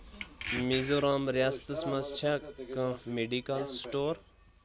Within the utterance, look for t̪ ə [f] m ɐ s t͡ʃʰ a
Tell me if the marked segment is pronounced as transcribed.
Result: no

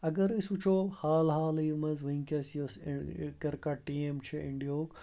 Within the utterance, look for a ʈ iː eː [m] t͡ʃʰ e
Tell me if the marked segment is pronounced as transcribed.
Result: yes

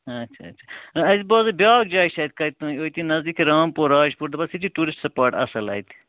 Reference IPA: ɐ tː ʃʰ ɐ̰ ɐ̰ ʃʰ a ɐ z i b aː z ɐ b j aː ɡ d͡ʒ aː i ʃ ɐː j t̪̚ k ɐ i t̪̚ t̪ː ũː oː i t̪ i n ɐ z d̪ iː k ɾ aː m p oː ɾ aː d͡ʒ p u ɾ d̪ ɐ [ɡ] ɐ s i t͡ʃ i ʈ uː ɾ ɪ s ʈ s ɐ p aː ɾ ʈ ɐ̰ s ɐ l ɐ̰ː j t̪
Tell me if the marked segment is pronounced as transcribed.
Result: no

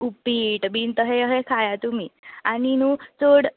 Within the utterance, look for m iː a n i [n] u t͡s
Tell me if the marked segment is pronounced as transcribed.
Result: yes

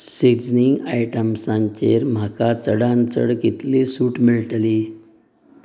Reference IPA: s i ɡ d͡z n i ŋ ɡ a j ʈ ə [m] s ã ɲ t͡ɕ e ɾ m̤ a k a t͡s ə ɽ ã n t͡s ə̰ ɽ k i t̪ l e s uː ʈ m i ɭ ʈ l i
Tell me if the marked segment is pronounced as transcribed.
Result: yes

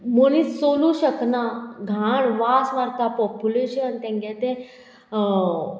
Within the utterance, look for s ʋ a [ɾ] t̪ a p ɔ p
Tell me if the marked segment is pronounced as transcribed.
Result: yes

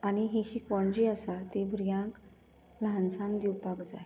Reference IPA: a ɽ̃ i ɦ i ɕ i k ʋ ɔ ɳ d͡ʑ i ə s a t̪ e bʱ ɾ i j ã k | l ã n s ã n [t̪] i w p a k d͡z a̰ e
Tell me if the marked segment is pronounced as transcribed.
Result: no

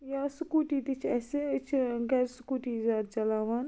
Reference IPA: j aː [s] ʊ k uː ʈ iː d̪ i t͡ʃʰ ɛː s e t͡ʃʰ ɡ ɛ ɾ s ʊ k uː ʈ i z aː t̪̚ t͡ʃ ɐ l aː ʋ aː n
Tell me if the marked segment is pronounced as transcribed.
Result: yes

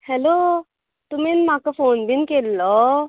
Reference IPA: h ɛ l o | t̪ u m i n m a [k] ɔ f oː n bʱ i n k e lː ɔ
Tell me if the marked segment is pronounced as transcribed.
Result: yes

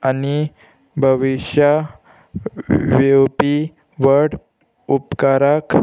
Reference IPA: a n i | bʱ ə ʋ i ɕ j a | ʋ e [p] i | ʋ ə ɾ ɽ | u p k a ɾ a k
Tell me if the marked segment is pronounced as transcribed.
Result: yes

